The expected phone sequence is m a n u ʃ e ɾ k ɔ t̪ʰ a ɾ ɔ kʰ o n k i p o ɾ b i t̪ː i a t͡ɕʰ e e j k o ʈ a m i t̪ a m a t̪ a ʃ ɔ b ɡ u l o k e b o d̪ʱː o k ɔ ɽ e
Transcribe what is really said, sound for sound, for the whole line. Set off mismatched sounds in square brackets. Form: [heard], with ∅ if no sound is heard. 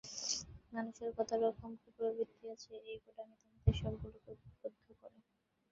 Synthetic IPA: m a n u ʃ e ɾ k ɔ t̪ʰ a ɾ ɔ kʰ o [m] k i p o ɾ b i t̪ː i a t͡ɕʰ e e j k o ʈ a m i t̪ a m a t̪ [e] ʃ ɔ b ɡ u l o k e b o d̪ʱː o k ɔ [ɾ] e